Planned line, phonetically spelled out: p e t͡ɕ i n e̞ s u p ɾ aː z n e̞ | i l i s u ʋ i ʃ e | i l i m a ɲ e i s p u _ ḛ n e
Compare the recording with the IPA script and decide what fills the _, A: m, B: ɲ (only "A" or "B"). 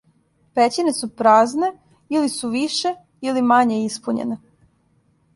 B